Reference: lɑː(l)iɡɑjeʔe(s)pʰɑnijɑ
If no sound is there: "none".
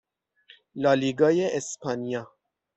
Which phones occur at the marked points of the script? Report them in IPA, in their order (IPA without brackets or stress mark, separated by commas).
l, s